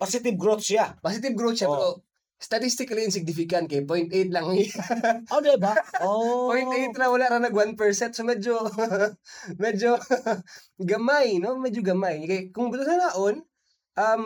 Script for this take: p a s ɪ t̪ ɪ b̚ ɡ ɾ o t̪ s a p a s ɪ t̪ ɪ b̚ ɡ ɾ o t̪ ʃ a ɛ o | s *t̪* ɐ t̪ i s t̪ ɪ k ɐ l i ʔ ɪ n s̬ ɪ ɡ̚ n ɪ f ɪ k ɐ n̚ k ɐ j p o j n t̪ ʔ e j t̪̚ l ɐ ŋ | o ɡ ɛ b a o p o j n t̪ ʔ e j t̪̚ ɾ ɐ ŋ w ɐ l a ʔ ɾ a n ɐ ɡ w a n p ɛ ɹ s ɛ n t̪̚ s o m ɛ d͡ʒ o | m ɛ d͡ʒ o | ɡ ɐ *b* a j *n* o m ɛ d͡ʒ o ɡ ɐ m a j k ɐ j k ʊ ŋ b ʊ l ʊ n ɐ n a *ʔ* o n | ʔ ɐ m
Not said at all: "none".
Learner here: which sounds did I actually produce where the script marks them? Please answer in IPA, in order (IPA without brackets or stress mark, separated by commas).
t̪, m, n, ʔ